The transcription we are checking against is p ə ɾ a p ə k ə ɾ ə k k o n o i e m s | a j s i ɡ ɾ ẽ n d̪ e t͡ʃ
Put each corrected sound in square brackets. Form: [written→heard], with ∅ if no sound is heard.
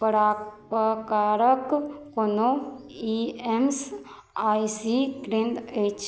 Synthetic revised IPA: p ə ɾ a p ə k [ə→a] ɾ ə k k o n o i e m s | a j s i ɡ ɾ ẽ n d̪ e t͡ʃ